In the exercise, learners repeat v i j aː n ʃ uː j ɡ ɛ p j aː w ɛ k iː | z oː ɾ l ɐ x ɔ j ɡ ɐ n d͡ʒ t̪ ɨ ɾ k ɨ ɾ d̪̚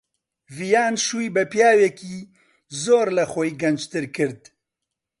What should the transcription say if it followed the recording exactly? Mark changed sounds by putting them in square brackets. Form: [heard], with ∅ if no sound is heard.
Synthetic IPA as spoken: v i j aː n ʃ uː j [b] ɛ p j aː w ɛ k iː | z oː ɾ l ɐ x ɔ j ɡ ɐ n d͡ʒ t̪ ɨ ɾ k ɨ ɾ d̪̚